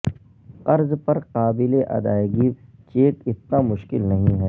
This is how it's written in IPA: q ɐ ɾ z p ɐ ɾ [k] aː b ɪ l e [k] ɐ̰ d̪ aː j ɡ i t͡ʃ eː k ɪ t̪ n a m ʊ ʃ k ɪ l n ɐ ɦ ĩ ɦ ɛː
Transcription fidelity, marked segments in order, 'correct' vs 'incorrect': incorrect, incorrect

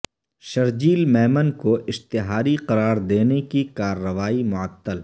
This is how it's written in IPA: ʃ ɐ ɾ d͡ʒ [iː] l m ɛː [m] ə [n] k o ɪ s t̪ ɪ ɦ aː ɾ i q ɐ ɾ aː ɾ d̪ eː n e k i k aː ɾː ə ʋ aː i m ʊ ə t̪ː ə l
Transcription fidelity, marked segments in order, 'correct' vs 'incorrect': correct, correct, correct

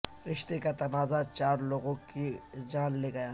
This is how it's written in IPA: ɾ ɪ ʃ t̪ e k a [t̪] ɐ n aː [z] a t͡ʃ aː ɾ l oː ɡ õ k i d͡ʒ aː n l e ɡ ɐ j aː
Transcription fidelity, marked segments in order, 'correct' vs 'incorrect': correct, correct

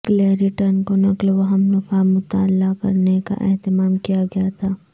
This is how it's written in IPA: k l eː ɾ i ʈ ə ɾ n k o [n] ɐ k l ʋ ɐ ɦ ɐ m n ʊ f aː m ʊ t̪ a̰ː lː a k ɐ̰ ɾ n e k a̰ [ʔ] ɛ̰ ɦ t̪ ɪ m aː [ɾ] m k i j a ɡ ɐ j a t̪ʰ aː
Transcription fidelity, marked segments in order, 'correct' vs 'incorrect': correct, correct, incorrect

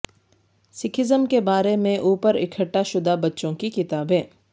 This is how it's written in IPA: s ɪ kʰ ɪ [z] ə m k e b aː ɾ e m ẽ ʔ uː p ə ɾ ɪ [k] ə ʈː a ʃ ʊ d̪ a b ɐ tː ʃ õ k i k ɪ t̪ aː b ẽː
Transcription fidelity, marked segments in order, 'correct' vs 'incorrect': correct, incorrect

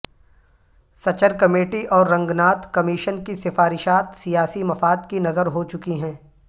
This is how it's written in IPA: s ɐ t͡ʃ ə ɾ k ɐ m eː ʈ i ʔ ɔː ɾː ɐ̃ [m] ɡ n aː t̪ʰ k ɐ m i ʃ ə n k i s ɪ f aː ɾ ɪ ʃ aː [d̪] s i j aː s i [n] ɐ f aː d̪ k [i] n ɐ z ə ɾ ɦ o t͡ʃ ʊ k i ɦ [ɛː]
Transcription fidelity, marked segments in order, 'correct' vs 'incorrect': incorrect, incorrect, incorrect, correct, incorrect

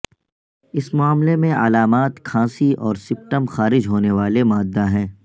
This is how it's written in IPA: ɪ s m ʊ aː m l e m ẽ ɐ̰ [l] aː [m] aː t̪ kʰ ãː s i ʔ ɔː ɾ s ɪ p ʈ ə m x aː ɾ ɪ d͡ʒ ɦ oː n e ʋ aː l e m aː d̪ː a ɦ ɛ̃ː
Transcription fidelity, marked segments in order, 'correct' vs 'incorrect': correct, correct

